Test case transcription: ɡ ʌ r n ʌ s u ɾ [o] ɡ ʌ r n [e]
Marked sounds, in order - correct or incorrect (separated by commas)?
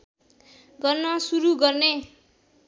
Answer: incorrect, correct